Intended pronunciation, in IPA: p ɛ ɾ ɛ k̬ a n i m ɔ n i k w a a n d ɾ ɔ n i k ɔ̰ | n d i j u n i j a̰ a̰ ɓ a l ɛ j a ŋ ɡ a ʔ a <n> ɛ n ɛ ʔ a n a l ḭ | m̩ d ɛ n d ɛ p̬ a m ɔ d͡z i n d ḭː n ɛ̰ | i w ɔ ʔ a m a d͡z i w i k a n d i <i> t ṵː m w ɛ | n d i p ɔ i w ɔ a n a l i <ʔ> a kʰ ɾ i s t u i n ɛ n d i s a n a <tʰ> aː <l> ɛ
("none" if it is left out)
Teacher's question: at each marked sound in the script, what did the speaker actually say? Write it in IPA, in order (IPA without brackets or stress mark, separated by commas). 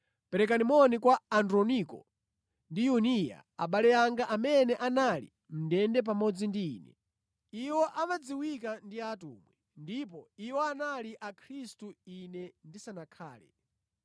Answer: m, a, ʔ, kʰ, l